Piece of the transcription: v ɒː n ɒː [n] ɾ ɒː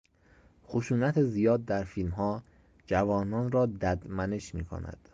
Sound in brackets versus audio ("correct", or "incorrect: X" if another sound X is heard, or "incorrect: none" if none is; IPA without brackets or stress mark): correct